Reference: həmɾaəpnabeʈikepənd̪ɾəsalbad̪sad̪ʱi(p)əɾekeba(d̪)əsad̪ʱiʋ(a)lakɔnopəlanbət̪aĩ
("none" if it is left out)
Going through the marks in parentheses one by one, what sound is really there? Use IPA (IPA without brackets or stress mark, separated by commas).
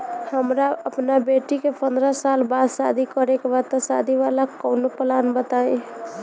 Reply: k, t̪, a